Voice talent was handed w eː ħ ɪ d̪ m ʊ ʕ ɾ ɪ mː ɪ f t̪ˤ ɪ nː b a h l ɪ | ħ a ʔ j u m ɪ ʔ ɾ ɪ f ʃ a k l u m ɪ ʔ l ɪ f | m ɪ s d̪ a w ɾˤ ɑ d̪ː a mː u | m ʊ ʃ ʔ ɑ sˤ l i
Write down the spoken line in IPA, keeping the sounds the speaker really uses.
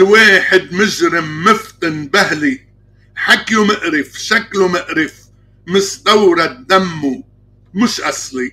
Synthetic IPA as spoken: w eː ħ ɪ d̪ m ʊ ʒ ɾ ɪ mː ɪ f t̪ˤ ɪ n b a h l i | ħ a k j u m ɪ ʔ ɾ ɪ f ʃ a k l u m ɪ ʔ ɾ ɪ f | m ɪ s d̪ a w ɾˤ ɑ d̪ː a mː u | m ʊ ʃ ʔ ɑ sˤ l i